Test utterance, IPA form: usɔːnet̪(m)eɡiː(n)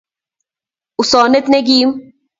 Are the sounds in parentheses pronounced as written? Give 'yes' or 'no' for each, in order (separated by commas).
no, no